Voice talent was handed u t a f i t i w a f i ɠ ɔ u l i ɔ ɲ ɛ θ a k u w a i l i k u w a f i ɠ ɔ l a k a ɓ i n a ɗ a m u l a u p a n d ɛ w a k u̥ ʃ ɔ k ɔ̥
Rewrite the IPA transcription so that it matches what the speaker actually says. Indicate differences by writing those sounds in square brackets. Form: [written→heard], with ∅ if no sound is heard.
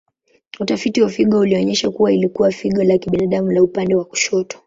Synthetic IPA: u t a f i t i w a f i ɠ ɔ u l i ɔ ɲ ɛ [θ→ʃ] a k u w a i l i k u w a f i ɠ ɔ l a k [a→i] ɓ i n a ɗ a m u l a u p a n d ɛ w a k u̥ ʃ ɔ [k→t] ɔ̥